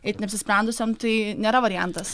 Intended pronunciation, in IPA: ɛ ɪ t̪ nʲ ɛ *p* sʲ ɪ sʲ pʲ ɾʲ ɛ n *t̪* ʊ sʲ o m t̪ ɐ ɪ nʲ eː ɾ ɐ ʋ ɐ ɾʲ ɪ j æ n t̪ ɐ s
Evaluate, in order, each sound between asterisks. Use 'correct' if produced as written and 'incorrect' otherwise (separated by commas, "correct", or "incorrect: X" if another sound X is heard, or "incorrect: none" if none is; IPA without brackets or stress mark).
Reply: correct, incorrect: d̪